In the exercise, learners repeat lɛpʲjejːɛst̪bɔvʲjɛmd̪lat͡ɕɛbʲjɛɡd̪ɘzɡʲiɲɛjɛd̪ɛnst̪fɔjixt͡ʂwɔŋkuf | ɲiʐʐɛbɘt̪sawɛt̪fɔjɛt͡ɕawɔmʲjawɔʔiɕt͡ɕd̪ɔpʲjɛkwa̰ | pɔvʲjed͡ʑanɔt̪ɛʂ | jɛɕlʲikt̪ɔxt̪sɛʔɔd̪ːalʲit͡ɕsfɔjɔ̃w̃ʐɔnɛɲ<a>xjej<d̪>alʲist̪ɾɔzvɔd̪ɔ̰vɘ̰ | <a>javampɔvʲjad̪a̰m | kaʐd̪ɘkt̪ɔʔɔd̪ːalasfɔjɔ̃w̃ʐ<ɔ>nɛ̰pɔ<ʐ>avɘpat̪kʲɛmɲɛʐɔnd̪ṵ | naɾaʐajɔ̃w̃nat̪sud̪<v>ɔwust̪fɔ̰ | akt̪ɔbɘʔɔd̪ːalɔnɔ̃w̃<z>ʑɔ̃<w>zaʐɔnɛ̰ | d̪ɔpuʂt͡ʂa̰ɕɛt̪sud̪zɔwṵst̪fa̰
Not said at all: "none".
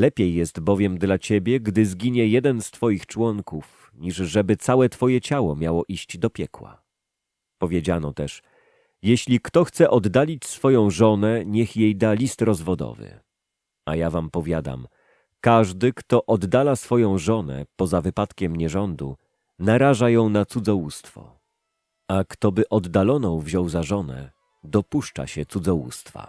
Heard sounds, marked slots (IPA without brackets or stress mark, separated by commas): ɛ, d̪, a, ɔ, z, z, v, w